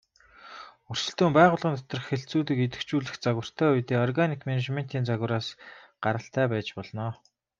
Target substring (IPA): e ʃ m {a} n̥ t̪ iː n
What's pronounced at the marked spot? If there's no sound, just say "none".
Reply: e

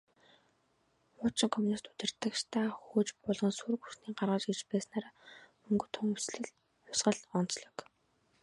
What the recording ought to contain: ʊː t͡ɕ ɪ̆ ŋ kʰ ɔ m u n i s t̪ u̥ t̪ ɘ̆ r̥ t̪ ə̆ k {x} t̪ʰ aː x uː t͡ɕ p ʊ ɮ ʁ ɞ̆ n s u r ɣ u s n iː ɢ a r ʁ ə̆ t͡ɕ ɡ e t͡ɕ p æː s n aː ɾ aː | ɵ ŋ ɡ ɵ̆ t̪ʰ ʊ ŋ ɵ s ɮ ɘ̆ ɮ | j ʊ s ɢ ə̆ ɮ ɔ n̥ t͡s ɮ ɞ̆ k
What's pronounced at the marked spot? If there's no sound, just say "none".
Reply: ʃ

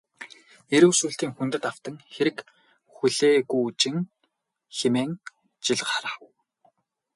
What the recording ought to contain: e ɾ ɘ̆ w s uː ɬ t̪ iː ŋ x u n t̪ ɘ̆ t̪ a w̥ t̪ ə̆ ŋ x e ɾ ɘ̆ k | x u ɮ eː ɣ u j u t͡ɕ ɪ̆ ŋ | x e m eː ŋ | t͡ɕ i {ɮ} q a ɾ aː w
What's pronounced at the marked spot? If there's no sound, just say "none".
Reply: ɮ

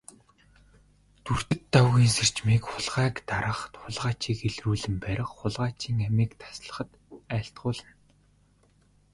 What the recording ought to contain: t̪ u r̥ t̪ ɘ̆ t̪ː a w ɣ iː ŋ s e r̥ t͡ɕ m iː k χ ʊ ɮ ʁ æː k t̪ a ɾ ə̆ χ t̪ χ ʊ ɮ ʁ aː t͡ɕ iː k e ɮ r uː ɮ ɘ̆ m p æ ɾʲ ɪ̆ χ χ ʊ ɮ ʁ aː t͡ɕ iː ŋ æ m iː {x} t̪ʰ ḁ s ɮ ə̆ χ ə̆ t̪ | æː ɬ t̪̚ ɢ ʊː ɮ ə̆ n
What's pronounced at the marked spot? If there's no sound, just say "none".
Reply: k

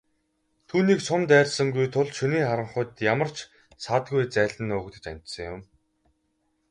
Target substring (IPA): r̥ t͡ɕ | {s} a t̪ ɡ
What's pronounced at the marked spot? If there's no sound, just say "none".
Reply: s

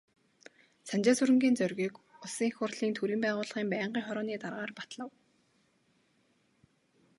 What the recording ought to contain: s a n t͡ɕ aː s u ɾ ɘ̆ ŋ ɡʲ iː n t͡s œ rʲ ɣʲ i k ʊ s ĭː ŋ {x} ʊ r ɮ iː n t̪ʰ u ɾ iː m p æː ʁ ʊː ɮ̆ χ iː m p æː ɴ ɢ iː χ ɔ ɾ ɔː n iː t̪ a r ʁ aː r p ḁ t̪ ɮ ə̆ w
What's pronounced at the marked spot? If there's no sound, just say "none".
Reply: x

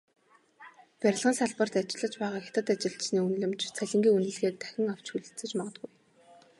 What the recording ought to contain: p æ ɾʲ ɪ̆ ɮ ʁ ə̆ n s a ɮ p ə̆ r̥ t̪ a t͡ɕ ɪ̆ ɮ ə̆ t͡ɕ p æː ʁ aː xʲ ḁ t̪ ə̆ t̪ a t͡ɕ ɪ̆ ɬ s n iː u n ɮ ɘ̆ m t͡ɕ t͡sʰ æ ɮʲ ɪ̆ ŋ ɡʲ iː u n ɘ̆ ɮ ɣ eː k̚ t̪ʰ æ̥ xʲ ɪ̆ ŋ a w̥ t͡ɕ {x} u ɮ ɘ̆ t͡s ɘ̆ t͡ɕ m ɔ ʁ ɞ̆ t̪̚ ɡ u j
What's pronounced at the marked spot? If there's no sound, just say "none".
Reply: x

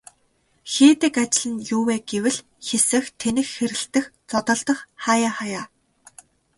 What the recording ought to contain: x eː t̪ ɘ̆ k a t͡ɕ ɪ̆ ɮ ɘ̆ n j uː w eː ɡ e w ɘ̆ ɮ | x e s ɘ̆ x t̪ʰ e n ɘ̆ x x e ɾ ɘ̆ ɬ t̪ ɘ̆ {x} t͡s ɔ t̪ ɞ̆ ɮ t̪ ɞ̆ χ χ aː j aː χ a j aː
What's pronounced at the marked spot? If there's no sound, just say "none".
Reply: x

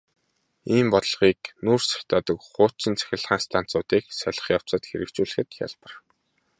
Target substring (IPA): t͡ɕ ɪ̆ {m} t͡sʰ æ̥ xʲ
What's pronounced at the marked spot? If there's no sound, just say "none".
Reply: n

